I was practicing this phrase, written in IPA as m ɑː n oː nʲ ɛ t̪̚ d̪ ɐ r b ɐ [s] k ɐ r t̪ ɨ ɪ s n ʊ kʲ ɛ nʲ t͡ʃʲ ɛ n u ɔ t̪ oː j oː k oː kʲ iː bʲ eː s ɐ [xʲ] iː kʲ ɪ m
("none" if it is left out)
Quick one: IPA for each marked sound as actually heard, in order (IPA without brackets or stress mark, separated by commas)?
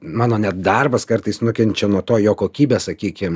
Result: s, kʲ